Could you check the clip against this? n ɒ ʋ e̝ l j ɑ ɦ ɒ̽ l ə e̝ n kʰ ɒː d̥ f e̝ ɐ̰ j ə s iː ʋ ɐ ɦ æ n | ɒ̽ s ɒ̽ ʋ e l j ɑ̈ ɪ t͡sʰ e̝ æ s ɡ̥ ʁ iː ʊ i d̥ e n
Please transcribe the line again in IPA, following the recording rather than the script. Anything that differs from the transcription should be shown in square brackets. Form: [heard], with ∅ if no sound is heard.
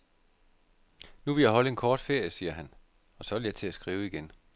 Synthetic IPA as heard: n [u] ʋ e̝ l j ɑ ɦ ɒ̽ l ə e̝ n kʰ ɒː d̥ f e̝ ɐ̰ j ə s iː [∅] ɐ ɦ æ n | ɒ̽ s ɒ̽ ʋ e l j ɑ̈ ɪ t͡sʰ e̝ æ s ɡ̥ ʁ iː ʊ i [ɡ̥] e n